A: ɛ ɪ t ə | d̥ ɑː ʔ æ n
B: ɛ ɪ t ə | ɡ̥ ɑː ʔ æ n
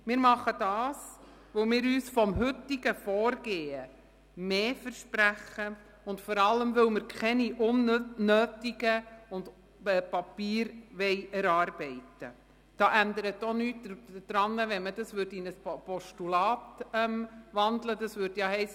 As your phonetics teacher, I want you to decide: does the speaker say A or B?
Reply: A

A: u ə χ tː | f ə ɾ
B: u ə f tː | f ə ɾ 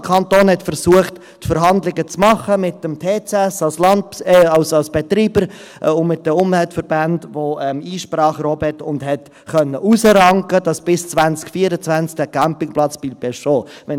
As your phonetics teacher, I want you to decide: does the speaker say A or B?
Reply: A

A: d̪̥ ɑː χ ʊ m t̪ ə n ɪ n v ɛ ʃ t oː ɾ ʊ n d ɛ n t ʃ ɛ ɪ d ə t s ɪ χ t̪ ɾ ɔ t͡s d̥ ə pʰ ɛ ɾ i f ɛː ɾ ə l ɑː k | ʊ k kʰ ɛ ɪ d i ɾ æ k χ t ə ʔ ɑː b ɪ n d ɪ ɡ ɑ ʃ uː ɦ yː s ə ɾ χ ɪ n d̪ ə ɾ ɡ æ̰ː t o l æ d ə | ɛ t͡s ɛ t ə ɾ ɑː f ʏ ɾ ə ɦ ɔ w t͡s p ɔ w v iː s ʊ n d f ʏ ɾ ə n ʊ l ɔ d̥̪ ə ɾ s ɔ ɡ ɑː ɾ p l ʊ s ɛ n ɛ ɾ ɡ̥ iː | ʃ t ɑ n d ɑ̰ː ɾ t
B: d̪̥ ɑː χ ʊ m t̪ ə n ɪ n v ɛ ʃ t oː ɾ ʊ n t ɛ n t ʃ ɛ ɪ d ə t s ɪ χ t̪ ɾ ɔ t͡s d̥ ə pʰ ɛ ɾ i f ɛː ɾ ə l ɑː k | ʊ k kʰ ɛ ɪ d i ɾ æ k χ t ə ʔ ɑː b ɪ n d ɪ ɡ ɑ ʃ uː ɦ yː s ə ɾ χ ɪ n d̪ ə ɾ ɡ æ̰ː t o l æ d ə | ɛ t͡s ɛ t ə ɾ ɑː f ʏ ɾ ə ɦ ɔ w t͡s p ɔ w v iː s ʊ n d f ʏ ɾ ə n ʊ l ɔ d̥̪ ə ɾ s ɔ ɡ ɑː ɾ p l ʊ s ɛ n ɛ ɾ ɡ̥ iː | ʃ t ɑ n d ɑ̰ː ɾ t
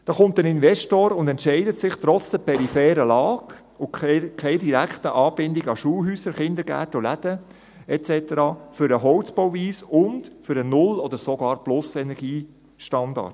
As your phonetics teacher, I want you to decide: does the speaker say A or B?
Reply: A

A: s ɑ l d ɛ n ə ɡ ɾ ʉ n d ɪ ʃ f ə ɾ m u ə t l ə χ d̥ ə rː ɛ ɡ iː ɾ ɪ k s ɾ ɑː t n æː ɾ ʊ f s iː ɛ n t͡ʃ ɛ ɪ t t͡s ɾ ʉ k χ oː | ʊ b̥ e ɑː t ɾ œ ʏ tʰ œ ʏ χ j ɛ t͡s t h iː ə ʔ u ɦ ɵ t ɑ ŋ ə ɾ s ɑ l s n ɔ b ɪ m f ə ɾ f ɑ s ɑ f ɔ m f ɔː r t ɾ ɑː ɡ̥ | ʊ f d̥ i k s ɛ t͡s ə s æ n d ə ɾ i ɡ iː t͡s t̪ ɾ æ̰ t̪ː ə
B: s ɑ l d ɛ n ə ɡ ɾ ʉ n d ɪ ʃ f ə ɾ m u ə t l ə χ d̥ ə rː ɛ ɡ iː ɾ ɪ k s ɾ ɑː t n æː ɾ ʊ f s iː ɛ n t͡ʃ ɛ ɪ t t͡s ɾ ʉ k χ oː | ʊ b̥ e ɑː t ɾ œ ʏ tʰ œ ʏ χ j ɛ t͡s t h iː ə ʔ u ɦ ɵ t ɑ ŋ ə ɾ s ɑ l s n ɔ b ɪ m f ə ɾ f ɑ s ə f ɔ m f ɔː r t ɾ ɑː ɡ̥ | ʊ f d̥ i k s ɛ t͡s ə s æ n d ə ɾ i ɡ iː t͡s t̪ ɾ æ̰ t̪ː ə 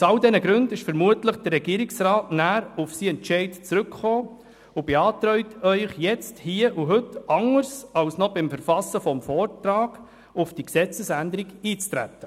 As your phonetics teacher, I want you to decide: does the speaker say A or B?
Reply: B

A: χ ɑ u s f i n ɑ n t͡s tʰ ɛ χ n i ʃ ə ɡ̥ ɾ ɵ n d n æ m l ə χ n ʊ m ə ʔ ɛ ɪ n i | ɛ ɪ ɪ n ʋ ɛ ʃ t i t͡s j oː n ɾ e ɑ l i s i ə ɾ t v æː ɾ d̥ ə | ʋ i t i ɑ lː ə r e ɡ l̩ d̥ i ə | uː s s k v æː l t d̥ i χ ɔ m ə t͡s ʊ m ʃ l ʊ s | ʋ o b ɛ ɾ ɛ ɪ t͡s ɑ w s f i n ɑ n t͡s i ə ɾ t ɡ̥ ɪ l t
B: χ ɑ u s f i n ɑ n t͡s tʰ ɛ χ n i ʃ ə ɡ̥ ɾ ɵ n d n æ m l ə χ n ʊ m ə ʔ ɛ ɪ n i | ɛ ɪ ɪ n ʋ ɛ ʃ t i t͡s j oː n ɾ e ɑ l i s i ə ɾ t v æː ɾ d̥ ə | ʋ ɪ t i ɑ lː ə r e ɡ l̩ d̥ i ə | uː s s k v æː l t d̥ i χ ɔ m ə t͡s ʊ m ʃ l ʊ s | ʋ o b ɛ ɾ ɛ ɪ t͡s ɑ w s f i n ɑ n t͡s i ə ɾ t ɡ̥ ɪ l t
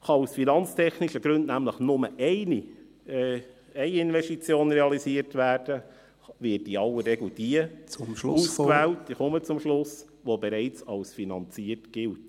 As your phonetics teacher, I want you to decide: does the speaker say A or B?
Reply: B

